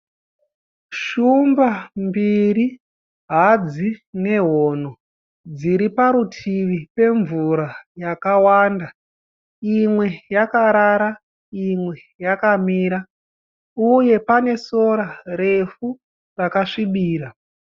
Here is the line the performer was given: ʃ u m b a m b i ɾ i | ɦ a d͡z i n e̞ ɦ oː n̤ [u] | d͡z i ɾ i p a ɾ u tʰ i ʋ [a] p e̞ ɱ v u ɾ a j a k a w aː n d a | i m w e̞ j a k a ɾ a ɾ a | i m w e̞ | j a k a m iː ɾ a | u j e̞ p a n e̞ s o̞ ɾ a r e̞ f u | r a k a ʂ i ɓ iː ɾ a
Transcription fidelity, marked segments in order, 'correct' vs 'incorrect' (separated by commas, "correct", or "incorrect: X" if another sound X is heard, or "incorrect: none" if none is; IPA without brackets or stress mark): incorrect: o, incorrect: i